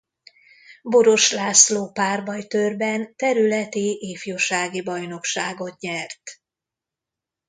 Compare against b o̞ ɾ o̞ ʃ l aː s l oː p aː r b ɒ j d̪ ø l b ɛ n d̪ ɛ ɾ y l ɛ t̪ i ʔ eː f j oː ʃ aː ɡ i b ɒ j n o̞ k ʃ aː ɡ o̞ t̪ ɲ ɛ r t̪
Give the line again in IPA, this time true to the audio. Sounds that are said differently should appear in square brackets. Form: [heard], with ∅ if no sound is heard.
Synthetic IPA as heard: b o̞ ɾ o̞ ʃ l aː s l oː p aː r b ɒ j [t̪] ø [r] b ɛ n [t̪] ɛ ɾ y l ɛ t̪ i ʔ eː f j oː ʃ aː ɡ i b ɒ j n o̞ k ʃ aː ɡ o̞ t̪ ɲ ɛ r t̪